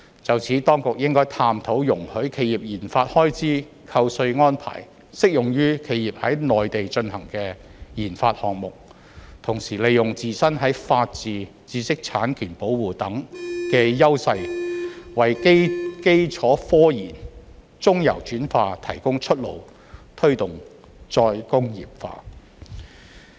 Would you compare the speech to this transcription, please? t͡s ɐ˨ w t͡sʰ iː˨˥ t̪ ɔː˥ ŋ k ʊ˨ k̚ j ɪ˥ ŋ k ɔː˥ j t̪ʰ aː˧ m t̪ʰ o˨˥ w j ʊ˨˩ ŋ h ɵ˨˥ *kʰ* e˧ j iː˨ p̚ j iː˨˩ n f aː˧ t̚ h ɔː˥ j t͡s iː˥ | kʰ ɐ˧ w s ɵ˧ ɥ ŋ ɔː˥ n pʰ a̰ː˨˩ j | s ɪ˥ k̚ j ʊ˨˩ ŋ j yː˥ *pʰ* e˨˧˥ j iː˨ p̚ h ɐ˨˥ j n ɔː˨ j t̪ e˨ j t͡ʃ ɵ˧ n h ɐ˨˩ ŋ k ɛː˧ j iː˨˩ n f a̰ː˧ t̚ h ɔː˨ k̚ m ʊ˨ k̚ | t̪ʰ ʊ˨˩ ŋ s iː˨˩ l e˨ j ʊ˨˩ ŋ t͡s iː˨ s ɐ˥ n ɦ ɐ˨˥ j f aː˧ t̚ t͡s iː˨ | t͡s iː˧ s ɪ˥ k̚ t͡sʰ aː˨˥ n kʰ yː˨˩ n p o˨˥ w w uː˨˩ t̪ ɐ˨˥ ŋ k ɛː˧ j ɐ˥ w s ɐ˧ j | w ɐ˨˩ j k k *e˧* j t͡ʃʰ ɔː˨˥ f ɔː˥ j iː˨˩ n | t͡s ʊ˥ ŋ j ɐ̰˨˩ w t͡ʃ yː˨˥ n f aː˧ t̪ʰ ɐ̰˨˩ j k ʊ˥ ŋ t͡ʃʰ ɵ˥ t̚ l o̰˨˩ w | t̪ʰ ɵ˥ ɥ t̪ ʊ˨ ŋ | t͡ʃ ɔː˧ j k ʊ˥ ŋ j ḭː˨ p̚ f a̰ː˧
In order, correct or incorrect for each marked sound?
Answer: correct, incorrect: kʰ, incorrect: e˥

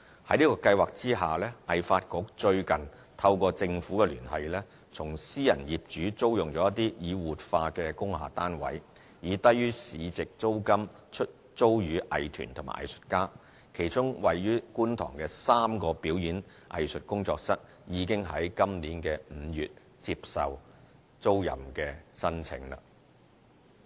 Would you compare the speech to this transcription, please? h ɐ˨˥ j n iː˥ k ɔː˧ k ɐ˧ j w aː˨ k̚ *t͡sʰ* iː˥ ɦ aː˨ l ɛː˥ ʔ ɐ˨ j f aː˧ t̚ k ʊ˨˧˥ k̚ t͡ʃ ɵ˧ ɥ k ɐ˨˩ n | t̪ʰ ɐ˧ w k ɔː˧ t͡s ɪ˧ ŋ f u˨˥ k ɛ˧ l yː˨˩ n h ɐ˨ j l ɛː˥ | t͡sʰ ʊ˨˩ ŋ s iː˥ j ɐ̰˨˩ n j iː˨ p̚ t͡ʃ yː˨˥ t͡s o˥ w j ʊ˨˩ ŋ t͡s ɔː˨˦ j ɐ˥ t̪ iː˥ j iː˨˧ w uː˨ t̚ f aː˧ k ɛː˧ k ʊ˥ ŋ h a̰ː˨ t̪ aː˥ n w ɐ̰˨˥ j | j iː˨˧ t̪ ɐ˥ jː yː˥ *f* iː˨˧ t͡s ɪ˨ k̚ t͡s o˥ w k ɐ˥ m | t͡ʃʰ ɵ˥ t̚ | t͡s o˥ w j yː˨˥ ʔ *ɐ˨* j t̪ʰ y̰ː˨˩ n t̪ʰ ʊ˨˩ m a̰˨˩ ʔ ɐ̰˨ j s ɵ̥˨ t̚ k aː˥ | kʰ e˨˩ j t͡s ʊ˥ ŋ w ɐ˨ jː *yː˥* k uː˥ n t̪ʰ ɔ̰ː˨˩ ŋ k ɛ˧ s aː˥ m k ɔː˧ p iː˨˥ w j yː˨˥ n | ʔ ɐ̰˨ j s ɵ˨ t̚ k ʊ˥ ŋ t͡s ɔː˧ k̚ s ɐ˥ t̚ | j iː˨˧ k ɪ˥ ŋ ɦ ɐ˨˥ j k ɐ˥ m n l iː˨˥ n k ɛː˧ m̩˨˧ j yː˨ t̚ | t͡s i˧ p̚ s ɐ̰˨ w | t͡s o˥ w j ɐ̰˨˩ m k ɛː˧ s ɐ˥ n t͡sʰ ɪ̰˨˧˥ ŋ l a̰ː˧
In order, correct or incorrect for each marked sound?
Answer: incorrect: t͡s, incorrect: s, correct, correct

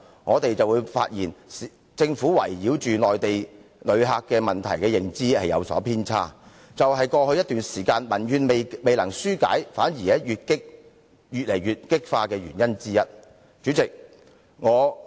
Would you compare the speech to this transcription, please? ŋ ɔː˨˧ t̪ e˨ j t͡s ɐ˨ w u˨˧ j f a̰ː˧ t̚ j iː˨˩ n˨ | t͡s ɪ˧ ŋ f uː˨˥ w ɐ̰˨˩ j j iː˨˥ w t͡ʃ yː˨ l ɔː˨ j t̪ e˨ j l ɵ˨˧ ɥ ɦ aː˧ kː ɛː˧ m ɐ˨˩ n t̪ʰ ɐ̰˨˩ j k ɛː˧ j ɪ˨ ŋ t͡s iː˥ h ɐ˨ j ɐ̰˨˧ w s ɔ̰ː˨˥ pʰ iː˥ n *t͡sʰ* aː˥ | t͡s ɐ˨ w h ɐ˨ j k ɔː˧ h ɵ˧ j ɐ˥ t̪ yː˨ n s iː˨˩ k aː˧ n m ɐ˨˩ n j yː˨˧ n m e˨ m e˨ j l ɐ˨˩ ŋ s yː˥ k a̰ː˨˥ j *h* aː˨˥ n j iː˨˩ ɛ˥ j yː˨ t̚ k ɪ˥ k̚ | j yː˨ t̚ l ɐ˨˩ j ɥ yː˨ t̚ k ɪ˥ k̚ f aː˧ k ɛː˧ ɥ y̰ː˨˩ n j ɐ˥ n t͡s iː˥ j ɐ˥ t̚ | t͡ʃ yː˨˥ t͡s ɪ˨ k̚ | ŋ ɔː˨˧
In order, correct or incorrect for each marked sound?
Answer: correct, incorrect: f

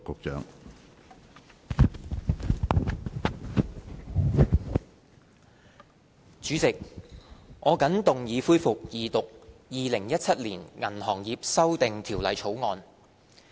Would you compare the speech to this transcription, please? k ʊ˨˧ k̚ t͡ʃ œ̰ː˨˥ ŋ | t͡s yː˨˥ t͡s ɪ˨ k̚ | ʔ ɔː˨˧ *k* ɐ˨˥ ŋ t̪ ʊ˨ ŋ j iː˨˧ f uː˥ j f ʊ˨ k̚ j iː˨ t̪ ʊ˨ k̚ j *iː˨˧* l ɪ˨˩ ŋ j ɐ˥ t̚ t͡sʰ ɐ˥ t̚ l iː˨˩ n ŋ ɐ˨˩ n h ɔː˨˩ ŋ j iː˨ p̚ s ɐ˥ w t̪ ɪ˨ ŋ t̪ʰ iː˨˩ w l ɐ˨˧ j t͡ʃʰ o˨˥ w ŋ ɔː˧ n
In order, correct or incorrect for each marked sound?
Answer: correct, correct

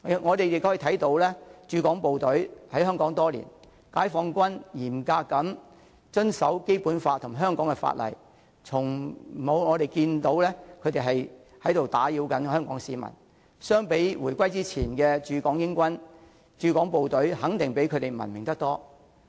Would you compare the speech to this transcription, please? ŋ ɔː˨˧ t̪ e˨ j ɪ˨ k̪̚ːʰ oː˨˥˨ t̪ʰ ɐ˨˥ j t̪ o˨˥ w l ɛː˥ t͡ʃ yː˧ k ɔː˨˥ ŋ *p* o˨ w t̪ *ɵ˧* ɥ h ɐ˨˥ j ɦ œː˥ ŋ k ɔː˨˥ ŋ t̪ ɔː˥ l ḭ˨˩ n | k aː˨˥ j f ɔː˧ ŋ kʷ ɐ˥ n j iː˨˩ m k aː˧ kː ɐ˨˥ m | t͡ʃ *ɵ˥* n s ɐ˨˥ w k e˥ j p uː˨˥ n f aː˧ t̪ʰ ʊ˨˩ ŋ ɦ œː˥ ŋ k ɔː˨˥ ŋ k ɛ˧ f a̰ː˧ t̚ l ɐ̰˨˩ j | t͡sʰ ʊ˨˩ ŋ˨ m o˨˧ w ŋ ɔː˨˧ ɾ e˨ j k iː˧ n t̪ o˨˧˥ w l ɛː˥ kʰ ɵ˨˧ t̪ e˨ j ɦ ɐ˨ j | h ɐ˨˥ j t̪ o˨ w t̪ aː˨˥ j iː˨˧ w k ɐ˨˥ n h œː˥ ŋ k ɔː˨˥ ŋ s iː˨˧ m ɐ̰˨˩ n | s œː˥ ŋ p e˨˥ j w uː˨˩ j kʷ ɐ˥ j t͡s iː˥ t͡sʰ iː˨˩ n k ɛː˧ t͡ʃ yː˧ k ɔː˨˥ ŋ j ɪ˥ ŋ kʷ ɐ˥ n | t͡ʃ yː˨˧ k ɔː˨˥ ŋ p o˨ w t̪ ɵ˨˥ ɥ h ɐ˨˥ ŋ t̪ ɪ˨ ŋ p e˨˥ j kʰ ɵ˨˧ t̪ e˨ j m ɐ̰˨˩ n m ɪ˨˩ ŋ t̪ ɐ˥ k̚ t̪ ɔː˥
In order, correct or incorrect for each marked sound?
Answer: correct, incorrect: ɵ˨˥, correct

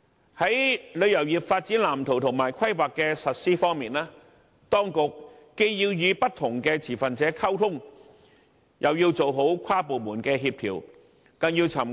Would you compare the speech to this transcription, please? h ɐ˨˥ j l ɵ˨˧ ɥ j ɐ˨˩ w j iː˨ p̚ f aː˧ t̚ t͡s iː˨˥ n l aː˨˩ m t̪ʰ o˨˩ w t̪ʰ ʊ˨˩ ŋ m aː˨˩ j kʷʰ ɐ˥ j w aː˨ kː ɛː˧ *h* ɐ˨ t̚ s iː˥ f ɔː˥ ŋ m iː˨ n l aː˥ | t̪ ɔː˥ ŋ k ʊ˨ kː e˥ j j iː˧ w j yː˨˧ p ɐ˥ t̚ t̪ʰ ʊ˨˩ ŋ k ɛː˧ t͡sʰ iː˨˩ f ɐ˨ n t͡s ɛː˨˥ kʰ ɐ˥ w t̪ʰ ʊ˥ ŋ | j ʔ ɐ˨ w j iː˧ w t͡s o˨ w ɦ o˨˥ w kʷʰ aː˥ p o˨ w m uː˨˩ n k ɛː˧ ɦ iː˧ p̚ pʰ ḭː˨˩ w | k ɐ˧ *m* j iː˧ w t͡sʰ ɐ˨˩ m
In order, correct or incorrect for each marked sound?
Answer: incorrect: s, incorrect: ŋ

